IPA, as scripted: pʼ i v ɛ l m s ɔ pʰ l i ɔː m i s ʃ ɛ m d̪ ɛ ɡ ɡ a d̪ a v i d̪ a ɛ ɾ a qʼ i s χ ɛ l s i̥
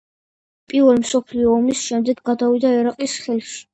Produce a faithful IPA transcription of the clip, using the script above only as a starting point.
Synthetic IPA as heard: pʼ i v ɛ l m s ɔ pʰ l i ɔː m i s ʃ ɛ m d̪ ɛ ɡ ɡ a d̪ a v i d̪ a ɛ ɾ a qʼ i s χ ɛ l ʃ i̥